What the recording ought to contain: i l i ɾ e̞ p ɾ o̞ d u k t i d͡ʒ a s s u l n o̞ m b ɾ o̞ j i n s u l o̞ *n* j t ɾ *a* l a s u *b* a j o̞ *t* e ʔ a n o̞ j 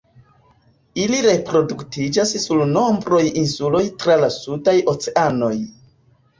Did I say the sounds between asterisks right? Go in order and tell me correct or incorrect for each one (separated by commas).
incorrect, correct, incorrect, incorrect